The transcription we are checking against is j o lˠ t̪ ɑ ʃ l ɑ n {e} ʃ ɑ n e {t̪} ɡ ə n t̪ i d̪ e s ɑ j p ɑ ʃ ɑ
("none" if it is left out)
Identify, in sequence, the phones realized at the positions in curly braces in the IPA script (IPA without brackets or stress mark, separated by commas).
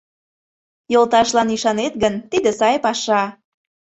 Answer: i, t̪